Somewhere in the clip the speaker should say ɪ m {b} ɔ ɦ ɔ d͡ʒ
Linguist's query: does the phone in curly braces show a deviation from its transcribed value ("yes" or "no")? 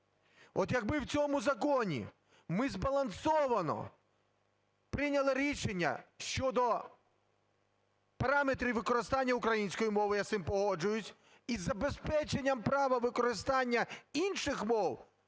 yes